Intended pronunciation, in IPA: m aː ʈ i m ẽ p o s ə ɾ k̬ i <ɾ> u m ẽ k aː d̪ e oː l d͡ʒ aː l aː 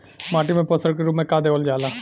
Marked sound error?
no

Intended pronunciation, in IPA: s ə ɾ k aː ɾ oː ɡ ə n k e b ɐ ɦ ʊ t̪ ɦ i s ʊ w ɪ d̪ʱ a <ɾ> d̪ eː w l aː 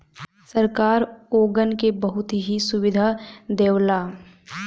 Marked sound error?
yes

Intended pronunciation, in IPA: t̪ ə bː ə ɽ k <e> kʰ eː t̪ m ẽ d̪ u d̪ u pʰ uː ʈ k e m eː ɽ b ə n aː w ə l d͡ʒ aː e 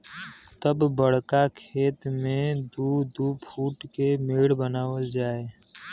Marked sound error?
yes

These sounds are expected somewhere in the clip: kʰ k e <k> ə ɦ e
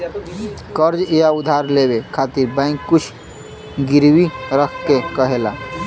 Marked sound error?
no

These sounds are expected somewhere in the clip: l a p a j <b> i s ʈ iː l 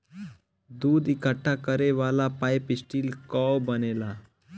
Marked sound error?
yes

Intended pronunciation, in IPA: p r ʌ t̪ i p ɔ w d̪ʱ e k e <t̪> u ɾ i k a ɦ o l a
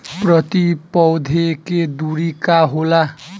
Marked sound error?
yes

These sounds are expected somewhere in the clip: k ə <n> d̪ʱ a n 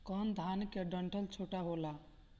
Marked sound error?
no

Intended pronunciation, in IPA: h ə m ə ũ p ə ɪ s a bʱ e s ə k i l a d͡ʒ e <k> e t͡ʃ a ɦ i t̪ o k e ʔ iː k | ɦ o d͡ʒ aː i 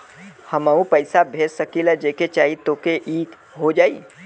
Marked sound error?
no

